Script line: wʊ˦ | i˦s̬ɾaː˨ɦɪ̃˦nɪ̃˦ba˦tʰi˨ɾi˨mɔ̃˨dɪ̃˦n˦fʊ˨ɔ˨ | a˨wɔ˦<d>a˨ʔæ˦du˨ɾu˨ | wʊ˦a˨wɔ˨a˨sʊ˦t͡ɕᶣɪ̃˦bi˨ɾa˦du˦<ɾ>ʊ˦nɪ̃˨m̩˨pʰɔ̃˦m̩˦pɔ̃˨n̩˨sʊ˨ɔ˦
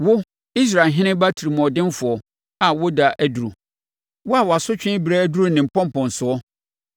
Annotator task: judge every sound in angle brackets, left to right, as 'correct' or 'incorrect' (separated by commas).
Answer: correct, correct